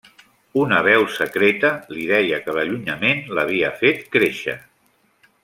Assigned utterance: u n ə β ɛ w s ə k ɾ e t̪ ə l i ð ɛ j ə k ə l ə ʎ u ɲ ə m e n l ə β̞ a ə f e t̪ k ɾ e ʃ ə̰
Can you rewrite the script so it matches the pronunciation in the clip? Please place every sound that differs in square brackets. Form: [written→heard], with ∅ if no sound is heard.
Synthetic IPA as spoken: u n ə β ɛ w s ə k ɾ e t̪ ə l i ð ɛ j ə k ə l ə ʎ u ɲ ə m e n l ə β̞ [a→i] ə f e t̪ k ɾ e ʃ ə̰